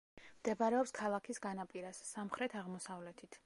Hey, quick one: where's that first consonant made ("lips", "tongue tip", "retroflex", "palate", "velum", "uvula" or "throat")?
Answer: lips